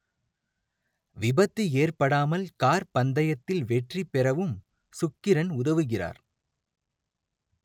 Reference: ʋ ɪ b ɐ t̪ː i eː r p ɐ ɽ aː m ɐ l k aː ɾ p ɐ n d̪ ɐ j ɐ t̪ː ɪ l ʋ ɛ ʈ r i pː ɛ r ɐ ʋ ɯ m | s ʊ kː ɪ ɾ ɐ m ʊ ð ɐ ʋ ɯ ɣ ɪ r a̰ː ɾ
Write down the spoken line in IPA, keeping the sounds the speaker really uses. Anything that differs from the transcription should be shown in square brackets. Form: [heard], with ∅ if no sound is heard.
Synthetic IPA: ʋ ɪ b ɐ t̪ː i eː r p ɐ ɽ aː m ɐ l k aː ɾ p ɐ n d̪ ɐ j ɐ t̪ː ɪ l ʋ ɛ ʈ r i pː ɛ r ɐ ʋ ɯ m | s ʊ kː ɪ ɾ ɐ [n] ʊ ð ɐ ʋ ɯ ɣ ɪ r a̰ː ɾ